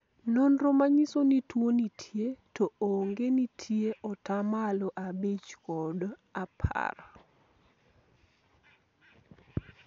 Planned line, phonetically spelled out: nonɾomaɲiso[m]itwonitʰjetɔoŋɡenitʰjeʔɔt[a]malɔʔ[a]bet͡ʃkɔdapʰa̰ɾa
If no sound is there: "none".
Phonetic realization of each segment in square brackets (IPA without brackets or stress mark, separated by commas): n, a, a